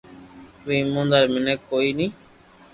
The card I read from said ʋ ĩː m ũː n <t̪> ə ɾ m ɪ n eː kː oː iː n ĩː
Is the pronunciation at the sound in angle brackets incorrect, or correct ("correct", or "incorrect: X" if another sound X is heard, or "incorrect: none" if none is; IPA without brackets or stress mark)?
incorrect: d̪